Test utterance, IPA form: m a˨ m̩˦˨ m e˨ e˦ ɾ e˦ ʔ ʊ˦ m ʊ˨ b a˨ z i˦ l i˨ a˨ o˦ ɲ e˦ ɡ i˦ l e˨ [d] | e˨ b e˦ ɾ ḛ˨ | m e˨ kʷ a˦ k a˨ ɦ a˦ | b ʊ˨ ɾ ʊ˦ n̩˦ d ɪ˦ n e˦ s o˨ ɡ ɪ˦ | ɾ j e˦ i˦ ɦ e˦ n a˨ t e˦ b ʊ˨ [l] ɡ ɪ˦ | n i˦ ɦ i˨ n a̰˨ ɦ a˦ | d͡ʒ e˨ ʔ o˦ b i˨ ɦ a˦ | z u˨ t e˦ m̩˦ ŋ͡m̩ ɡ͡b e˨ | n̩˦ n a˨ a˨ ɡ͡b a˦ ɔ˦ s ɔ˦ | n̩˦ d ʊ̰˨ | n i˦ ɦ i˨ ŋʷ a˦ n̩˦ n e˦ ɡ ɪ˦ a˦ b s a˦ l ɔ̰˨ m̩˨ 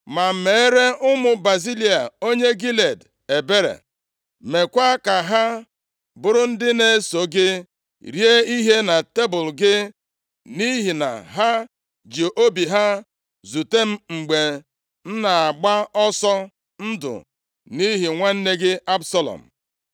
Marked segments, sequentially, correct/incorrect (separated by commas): correct, correct